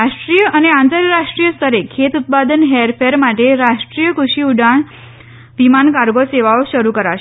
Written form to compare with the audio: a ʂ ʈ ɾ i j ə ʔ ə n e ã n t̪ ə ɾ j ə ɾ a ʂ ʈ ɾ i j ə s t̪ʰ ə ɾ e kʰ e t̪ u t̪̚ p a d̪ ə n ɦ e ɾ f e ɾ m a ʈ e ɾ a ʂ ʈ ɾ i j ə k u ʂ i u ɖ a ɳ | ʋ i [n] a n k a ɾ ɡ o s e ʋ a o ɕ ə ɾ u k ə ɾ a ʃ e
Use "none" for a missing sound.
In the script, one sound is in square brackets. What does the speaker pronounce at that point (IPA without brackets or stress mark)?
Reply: m